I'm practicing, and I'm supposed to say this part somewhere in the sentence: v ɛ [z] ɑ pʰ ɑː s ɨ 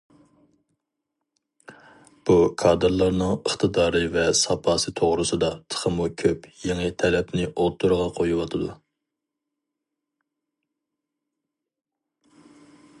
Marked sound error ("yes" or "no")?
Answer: yes